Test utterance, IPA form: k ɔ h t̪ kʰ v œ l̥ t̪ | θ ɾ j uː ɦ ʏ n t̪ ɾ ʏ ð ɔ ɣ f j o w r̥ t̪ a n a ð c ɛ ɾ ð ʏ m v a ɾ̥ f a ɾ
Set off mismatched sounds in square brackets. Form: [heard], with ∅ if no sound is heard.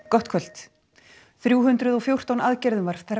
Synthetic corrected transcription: k ɔ h t̪ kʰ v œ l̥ t̪ | θ ɾ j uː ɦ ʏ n t̪ ɾ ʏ ð ɔ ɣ f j o w r̥ t̪ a n a ð c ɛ ɾ ð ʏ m v a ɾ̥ [θ] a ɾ